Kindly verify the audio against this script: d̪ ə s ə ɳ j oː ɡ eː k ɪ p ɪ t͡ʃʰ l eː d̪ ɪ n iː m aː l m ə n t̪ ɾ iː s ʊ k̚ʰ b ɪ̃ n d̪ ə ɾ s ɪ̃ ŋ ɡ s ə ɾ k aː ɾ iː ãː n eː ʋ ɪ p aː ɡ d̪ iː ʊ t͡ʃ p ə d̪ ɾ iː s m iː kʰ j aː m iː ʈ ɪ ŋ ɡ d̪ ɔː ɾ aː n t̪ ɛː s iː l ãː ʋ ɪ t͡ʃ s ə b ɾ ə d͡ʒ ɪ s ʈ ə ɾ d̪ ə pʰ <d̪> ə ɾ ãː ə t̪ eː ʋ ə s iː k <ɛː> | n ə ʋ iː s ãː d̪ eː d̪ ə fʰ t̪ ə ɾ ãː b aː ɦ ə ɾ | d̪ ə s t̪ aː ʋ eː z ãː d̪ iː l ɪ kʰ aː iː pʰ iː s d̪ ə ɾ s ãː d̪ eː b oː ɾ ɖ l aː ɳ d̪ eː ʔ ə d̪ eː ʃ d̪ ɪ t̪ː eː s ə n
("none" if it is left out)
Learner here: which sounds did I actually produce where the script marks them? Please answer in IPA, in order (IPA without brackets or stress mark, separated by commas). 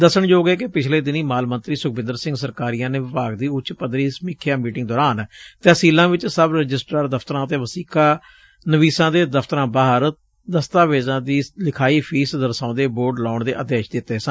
t̪, aː